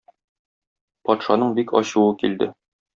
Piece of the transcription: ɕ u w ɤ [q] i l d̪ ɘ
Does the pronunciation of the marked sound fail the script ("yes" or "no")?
yes